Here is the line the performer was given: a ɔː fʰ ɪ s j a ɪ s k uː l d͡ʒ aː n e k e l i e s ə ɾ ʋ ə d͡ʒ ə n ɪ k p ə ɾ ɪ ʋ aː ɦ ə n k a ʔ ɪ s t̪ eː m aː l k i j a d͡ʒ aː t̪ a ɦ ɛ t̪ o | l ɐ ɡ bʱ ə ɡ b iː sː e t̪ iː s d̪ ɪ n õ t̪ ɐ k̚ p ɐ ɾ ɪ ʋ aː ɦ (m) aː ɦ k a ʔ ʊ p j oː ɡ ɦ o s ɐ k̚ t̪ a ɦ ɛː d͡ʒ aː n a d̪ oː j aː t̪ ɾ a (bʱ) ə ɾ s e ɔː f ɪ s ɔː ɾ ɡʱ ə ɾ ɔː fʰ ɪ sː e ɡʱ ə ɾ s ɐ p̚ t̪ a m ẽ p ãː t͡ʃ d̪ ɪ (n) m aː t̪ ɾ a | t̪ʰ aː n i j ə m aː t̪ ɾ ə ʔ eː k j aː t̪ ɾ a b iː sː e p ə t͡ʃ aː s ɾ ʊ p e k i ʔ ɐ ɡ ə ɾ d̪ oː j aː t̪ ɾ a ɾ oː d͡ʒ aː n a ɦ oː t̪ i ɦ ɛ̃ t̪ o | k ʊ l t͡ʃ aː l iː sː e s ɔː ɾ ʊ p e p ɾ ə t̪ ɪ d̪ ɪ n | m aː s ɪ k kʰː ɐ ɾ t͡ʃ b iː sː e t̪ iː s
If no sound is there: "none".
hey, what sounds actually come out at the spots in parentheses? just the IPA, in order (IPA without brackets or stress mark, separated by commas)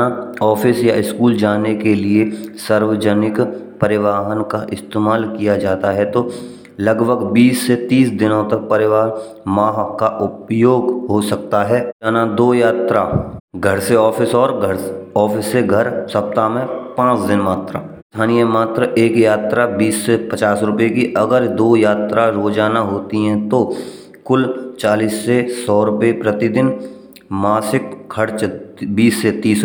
m, ɡʱ, n